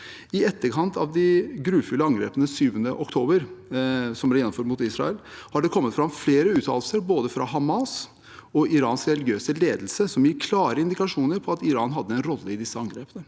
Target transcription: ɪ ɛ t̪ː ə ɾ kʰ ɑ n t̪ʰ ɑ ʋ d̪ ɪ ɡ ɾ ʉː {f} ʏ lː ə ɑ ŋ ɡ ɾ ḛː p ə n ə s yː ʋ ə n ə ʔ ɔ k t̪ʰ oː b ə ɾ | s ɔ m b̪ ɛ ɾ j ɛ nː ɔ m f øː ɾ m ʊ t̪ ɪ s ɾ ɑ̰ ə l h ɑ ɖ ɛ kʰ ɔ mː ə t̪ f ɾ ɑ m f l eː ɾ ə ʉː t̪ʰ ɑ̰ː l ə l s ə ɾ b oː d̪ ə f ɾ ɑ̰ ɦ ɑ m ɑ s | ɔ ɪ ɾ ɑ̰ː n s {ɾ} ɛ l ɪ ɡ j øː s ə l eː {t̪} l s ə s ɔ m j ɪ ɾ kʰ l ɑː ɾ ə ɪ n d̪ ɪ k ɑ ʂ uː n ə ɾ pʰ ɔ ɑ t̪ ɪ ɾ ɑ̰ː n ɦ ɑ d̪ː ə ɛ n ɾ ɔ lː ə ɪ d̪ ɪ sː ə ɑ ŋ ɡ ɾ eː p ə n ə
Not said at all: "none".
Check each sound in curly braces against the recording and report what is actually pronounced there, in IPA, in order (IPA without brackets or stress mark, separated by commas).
f, ɾ, d̪